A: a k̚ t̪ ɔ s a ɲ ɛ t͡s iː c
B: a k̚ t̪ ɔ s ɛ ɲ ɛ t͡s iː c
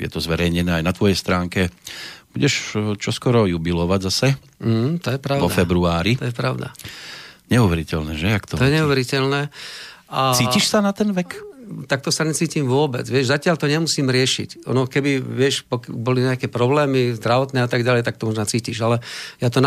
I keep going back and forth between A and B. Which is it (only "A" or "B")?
A